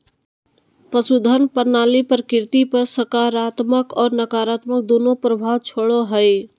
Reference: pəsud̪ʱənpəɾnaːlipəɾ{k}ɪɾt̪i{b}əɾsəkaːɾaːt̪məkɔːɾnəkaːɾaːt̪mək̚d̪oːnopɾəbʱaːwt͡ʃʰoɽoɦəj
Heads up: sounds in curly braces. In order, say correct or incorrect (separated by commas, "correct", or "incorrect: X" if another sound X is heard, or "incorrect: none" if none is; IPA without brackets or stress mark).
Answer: correct, incorrect: p